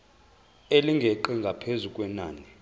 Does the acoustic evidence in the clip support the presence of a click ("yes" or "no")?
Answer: yes